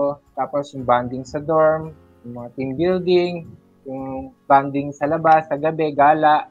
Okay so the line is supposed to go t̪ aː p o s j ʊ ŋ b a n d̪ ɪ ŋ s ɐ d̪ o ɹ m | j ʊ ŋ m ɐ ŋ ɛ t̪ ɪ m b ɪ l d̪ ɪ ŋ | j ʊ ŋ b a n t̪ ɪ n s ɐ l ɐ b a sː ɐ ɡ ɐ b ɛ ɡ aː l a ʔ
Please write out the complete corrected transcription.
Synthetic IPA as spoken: t̪ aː p o s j ʊ ŋ b a n d̪ ɪ ŋ s ɐ d̪ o ɹ m | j ʊ ŋ m ɐ ŋ a t̪ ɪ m b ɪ l d̪ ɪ ŋ | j ʊ ŋ b a n d̪ ɪ ŋ s ɐ l ɐ b a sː ɐ ɡ ɐ b ɛ ɡ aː l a ʔ